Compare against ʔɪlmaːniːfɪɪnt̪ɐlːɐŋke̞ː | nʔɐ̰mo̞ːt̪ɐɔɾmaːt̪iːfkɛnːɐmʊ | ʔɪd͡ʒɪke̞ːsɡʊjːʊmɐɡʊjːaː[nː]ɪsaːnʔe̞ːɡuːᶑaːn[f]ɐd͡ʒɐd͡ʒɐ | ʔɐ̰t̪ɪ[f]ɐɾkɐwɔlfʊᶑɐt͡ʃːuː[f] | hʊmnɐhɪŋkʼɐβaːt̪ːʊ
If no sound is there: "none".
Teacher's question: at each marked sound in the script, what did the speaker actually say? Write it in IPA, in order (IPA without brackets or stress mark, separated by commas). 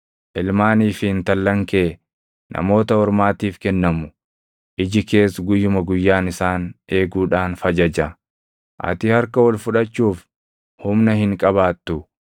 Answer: n, f, h, f